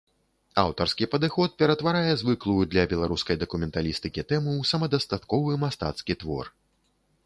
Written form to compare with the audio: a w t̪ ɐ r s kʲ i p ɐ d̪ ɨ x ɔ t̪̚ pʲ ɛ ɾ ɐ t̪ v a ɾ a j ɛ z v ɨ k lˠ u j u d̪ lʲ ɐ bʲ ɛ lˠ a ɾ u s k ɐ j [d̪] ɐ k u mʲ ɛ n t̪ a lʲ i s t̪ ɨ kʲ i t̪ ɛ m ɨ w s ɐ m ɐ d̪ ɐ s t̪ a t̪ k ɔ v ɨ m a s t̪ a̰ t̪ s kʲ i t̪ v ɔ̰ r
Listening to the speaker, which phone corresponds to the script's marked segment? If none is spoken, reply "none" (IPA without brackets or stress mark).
d̪